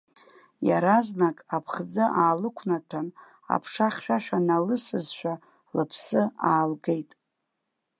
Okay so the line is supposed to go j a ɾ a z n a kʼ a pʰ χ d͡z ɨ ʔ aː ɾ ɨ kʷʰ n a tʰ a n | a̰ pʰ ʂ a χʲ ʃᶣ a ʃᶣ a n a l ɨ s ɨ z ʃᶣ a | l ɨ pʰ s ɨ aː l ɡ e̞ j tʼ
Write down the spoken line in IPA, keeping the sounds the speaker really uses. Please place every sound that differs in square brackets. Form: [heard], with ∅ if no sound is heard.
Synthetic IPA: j a ɾ a z n a kʼ a pʰ χ d͡z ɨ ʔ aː [l] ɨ kʷʰ n a tʰ a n | a̰ pʰ ʂ a χʲ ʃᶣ a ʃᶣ a n a l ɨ s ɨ z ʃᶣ a | l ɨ pʰ s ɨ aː l ɡ e̞ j tʼ

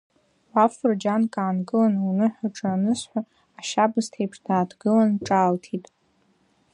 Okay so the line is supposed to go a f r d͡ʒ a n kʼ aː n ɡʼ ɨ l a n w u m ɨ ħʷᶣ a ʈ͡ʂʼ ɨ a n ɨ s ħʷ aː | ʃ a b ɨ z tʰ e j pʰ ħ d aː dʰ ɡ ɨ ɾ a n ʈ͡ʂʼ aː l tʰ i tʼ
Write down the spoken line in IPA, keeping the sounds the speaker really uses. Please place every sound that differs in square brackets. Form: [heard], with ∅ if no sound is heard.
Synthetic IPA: a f r d͡ʒ a n kʼ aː n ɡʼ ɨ l a n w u [n] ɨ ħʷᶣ a ʈ͡ʂʼ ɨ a n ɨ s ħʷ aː | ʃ a b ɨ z tʰ e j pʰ [ʂ] d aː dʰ ɡ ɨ [l] a n ʈ͡ʂʼ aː l tʰ i tʼ

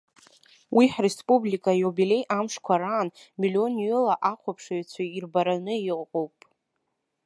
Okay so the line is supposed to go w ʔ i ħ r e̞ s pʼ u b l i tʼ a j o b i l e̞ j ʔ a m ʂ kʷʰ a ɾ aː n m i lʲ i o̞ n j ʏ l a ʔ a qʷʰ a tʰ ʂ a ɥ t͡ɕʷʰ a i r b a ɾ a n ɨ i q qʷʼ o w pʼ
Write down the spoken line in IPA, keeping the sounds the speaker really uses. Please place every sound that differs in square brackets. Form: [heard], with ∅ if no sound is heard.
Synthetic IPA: w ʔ i ħ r e̞ s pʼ u b l i [kʼ] a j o b i l e̞ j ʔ a m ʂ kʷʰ a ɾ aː n m i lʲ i o̞ n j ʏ l a ʔ a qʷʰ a [pʰ] ʂ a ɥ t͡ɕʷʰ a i r b a ɾ a n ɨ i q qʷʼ o w pʼ

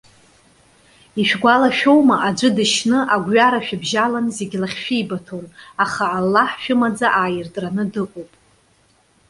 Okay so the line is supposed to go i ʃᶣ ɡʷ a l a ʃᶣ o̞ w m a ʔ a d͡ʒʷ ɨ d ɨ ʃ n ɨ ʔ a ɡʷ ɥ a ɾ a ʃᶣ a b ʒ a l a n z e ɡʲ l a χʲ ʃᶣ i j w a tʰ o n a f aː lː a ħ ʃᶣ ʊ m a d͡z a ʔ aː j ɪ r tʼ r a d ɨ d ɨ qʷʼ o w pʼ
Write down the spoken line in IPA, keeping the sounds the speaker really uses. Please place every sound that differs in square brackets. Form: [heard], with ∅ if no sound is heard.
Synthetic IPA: i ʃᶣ ɡʷ a l a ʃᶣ o̞ w m a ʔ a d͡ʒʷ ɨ d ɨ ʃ n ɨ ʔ a ɡʷ ɥ a ɾ a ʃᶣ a b ʒ a l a n z e ɡʲ l a χʲ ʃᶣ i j [b] a tʰ o n a [χ] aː lː a ħ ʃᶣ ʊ m a d͡z a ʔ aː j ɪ r tʼ r a [n] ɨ d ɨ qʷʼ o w pʼ

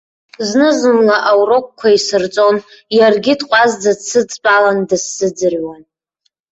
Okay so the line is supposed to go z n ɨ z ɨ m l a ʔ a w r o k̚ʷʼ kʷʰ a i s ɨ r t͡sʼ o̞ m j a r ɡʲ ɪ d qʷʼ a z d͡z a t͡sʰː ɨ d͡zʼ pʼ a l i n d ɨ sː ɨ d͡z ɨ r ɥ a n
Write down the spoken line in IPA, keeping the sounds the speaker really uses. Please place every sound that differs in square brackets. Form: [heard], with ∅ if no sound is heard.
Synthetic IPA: z n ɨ z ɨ m l a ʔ a w r o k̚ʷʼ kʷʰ a i s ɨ r t͡sʼ o̞ [n] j a r ɡʲ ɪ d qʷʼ a z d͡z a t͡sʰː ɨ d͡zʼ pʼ a l [a] n d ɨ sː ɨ d͡z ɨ r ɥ a n

